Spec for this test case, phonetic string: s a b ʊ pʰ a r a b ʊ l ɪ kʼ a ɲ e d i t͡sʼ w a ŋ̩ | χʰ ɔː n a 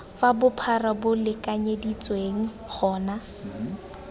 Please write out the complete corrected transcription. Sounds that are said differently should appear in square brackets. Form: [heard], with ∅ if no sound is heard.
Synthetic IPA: [f] a b ʊ pʰ a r a b ʊ l ɪ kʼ a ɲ e d i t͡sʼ w [e] ŋ̩ | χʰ ɔː n a